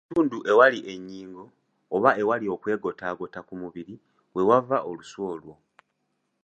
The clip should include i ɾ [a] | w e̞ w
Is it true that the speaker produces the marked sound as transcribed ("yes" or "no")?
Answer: no